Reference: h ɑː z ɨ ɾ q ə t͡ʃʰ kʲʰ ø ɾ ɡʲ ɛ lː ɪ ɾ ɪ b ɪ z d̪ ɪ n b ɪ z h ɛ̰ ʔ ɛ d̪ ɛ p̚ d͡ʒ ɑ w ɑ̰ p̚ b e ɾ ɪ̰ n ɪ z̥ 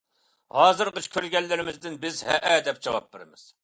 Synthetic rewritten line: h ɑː z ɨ ɾ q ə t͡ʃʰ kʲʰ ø ɾ ɡʲ ɛ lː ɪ ɾ ɪ m ɪ z d̪ ɪ n b ɪ z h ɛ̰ ʔ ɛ d̪ ɛ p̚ d͡ʒ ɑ w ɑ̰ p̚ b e ɾ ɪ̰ m ɪ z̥